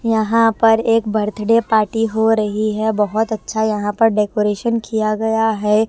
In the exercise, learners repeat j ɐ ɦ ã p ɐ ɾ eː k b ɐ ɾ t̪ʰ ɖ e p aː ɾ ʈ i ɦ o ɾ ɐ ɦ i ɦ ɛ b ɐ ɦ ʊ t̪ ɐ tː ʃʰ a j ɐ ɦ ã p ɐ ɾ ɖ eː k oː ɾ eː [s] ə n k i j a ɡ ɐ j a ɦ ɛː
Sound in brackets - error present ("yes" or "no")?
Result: yes